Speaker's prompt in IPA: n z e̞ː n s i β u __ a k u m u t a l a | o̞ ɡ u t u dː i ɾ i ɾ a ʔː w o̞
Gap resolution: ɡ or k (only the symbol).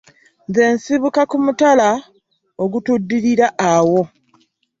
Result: k